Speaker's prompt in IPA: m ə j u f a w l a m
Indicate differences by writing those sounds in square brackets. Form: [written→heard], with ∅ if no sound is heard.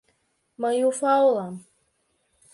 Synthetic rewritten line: m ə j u f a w l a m

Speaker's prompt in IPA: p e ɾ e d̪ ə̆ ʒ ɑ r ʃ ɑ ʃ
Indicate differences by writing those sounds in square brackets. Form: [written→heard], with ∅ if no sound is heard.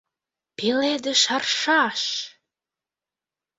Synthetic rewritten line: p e [ɾ→l] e d̪ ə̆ [ʒ→ʃ] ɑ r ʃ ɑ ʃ

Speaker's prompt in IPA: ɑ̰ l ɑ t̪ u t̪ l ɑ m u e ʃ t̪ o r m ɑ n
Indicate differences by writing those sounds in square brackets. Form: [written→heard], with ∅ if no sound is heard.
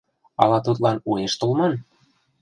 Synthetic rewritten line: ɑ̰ l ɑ t̪ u t̪ l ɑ [m→n] u e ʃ t̪ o [r→l] m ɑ n

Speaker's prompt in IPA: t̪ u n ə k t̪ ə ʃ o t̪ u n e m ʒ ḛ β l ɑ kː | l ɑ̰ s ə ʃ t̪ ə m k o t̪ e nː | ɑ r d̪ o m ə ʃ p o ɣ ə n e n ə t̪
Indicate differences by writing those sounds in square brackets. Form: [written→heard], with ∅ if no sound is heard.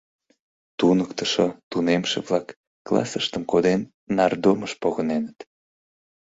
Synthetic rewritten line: t̪ u n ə k t̪ ə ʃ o t̪ u n e m [ʒ→ʃ] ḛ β l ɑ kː | l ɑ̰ s ə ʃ t̪ ə m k o [t̪→d̪] e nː | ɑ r d̪ o m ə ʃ p o ɣ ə n e n ə t̪

